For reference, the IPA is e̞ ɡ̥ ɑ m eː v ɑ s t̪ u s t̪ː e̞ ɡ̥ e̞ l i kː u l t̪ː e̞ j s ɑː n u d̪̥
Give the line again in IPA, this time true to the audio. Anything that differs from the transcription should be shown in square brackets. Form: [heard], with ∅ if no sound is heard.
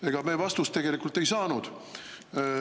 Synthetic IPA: e̞ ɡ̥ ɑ m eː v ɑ s t̪ u s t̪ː e̞ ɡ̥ e̞ l i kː u l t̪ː e̞ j s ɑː n u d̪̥